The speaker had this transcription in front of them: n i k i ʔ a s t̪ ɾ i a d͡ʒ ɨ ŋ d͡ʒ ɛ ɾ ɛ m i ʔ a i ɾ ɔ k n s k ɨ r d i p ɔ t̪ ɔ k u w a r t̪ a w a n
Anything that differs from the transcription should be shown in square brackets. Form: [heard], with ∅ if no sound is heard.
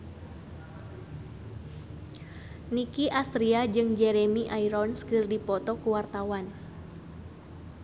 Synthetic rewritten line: n i k i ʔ a s t̪ ɾ i a d͡ʒ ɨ ŋ d͡ʒ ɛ ɾ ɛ m i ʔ a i ɾ ɔ [∅] n s k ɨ r d i p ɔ t̪ ɔ k u w a r t̪ a w a n